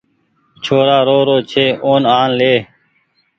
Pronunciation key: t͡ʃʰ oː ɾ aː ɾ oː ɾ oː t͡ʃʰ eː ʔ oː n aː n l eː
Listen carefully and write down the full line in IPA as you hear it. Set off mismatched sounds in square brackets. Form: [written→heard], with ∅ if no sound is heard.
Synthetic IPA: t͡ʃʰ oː ɾ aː ɾ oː ɾ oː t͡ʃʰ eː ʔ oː n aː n l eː